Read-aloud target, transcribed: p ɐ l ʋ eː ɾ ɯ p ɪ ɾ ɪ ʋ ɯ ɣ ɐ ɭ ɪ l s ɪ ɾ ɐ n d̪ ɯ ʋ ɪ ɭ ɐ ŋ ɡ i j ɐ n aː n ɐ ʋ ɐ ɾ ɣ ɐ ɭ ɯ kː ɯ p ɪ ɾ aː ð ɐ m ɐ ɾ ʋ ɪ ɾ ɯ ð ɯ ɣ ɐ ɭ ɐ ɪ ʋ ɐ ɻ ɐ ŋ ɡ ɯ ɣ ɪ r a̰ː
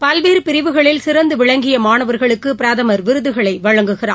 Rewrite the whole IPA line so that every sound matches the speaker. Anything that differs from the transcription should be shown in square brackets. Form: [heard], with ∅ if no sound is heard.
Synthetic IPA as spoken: p ɐ l ʋ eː ɾ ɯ p ɪ ɾ ɪ ʋ ɯ ɣ ɐ ɭ ɪ l s ɪ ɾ ɐ n d̪ ɯ ʋ ɪ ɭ ɐ ŋ ɡ [ɪ] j ɐ [m] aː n ɐ ʋ ɐ ɾ ɣ ɐ ɭ ɯ kː ɯ p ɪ ɾ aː ð ɐ m ɐ ɾ ʋ ɪ ɾ ɯ ð ɯ ɣ ɐ ɭ ɐ ɪ ʋ ɐ ɻ ɐ ŋ ɡ ɯ ɣ ɪ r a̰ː